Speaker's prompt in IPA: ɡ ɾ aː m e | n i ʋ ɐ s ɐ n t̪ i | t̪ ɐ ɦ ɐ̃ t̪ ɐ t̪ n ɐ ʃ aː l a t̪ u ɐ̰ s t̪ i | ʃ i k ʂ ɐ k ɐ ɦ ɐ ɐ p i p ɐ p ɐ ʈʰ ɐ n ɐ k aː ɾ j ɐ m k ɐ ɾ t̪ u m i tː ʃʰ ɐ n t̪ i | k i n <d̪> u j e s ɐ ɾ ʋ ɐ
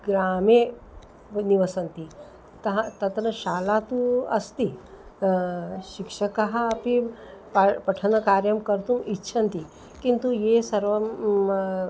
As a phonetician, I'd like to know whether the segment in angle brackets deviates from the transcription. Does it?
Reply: yes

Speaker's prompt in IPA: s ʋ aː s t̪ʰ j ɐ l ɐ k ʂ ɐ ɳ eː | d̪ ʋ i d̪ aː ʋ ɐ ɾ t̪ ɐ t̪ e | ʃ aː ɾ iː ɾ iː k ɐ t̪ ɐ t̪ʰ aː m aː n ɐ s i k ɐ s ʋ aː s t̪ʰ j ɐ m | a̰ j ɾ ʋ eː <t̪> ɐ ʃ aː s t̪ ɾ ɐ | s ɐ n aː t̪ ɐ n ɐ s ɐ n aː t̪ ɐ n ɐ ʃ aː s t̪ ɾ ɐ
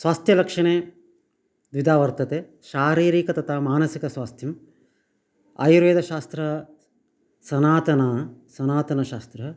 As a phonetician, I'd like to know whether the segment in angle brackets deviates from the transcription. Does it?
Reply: yes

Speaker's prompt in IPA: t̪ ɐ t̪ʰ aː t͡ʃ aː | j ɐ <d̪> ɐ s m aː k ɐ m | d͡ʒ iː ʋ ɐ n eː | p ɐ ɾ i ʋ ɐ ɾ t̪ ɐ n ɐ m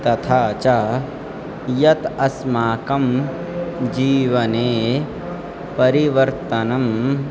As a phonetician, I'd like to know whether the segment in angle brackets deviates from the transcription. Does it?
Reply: yes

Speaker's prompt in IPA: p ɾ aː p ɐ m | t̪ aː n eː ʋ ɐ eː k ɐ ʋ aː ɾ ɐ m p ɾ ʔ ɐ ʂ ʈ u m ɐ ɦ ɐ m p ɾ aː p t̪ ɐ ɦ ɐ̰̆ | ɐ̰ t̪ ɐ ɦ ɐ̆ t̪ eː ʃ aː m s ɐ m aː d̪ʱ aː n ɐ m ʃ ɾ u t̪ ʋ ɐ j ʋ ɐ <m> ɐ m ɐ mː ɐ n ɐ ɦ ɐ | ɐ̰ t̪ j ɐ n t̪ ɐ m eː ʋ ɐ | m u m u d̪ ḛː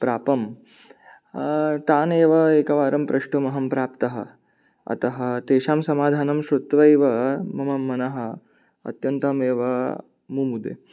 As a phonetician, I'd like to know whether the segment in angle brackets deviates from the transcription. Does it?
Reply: no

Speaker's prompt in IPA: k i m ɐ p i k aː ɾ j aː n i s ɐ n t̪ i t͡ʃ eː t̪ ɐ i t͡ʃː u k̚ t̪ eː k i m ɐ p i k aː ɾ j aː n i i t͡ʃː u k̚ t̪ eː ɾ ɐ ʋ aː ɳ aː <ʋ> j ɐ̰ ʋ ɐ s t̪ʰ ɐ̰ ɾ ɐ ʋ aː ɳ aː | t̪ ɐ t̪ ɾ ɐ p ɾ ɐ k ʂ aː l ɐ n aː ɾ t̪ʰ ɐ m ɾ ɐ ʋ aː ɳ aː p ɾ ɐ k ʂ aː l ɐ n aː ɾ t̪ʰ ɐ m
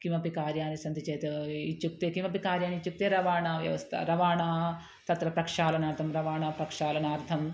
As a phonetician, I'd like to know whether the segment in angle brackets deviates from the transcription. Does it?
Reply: no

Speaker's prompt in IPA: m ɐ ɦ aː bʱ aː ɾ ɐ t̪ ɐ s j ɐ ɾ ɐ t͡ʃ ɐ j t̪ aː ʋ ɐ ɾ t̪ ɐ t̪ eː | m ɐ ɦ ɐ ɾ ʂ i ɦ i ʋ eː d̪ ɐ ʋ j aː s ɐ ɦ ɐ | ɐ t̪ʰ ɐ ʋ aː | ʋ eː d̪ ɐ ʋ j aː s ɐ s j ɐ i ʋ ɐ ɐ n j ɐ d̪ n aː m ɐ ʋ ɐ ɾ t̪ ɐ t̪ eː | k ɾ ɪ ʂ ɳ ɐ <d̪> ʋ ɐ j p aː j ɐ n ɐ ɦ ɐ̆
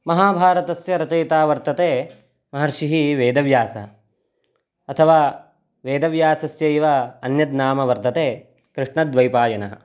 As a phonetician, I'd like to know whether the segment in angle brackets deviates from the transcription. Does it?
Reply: no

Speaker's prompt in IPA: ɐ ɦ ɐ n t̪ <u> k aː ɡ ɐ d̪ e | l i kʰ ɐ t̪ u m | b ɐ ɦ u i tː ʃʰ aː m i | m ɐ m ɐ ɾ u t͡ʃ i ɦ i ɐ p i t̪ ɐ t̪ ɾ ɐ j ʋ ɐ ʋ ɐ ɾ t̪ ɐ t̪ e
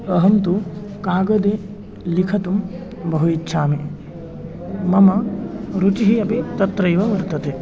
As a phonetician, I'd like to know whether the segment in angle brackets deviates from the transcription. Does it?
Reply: no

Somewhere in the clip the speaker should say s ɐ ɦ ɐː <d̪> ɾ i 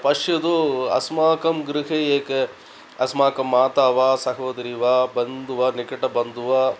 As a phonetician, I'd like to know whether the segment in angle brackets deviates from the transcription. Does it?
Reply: no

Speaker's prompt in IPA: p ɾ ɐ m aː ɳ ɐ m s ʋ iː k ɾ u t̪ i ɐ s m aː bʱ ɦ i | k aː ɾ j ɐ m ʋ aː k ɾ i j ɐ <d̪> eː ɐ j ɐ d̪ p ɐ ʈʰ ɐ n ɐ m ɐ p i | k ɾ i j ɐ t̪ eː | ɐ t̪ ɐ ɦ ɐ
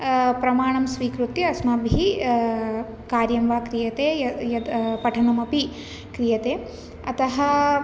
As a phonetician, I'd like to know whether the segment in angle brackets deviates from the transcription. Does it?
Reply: yes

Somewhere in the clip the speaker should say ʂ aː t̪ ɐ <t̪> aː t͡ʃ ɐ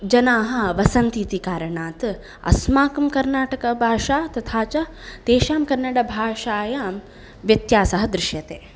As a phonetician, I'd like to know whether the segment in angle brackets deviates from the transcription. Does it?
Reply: yes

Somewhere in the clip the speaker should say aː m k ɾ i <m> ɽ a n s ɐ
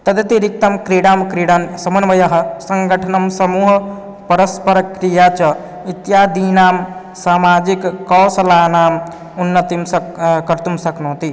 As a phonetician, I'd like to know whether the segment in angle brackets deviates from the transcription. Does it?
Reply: yes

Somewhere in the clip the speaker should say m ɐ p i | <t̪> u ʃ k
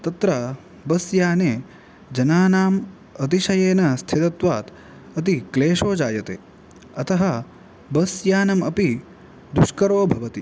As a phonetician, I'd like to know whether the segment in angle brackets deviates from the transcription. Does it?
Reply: yes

